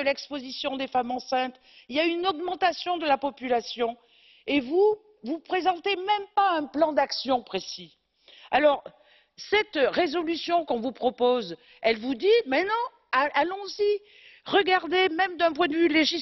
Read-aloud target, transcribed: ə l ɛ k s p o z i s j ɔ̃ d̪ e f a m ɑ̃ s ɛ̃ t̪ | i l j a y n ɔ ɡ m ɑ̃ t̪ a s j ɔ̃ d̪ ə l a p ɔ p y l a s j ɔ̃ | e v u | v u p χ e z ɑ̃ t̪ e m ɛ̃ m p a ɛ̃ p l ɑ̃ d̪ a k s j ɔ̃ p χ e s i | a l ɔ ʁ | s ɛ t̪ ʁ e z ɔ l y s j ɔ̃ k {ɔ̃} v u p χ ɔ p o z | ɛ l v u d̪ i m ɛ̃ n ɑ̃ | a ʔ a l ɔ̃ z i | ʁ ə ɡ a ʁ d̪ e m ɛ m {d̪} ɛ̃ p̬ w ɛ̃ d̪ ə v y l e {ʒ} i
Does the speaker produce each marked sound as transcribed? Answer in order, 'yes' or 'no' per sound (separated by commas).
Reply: yes, yes, yes